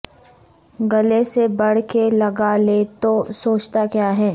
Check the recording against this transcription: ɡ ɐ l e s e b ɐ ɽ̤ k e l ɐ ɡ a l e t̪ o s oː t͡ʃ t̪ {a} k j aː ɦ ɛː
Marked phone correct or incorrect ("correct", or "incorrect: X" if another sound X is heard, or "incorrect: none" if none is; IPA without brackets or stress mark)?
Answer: correct